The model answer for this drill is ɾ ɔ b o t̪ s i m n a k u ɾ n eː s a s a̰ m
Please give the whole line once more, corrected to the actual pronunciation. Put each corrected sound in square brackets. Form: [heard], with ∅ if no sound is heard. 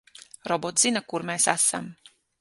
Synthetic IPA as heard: ɾ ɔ b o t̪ [z] i [∅] n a k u ɾ [m] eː s a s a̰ m